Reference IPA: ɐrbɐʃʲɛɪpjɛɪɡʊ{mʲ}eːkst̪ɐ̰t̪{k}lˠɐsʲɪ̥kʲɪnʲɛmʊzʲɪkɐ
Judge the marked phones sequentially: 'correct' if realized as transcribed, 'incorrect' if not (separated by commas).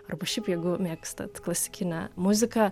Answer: correct, correct